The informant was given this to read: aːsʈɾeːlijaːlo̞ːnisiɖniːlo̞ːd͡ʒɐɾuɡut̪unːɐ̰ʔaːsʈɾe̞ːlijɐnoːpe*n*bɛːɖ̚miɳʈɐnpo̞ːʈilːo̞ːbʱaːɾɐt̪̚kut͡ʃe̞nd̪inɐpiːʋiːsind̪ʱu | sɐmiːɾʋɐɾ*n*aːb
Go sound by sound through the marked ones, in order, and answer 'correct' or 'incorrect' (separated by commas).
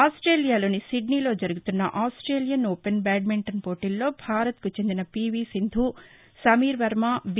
correct, incorrect